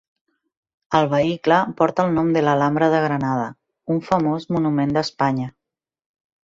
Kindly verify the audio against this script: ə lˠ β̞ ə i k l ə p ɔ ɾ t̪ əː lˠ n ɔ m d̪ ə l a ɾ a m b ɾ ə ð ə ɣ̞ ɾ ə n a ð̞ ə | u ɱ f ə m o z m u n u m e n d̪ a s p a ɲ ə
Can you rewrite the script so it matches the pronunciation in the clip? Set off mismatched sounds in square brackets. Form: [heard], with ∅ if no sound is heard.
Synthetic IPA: ə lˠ β̞ ə i k l ə p ɔ ɾ t̪ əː lˠ n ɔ m d̪ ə l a [l] a m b ɾ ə ð ə ɣ̞ ɾ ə n a ð̞ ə | u ɱ f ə m o z m u n u m e n d̪ [ə] s p a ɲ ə